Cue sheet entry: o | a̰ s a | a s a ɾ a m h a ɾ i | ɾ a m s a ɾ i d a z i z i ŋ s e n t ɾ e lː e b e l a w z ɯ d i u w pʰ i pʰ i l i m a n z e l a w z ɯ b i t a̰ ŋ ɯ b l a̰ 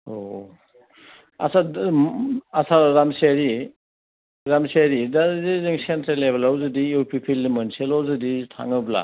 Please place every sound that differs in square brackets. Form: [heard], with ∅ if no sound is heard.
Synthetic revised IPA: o | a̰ s a | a s a ɾ a m [s] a ɾ i | ɾ a m s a ɾ i d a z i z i ŋ s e n t ɾ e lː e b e l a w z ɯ d i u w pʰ i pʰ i l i m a n [s] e l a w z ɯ [d] i [tʰ] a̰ ŋ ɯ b l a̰